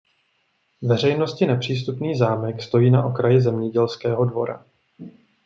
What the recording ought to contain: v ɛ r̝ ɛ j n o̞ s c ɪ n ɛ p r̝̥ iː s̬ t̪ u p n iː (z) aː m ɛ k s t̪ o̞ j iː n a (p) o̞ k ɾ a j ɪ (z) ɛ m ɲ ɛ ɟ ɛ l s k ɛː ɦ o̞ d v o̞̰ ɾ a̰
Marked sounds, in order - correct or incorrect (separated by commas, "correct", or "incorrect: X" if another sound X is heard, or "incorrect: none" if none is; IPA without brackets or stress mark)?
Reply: correct, incorrect: ʔ, correct